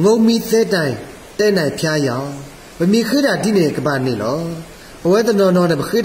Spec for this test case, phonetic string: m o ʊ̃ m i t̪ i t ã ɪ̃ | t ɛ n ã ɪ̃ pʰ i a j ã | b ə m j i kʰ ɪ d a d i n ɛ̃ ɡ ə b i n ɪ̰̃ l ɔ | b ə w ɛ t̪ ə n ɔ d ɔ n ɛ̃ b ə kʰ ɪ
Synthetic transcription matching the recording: ŋ o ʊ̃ m i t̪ ɛ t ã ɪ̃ | t ɛ n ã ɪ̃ pʰ j a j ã | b ə m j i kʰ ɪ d a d i n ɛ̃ ɡ ə b a n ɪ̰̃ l ɔ | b ə w ɛ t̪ ə n ɔ n ɔ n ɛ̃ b ə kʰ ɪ